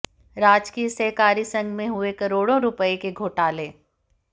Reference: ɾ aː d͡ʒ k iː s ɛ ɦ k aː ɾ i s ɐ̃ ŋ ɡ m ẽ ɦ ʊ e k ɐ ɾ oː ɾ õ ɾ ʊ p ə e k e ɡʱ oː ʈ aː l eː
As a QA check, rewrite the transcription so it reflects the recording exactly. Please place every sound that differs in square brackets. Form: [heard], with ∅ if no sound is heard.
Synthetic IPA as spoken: ɾ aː d͡ʒ k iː s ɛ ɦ k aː ɾ i s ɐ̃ ŋ ɡ m ẽ ɦ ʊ e k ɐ ɾ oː [ɽ] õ ɾ ʊ p ə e k e ɡʱ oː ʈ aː l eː